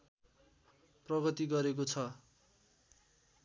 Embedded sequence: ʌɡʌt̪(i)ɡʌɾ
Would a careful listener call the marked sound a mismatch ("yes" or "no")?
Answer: no